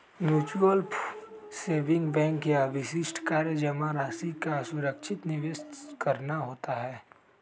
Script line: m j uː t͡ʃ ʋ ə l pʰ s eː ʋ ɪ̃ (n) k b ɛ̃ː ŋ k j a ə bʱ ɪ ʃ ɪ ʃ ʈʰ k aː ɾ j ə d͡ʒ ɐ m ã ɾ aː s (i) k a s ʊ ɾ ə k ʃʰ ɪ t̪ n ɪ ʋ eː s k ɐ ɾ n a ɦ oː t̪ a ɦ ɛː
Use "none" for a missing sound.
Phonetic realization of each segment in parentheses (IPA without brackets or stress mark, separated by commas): ŋ, i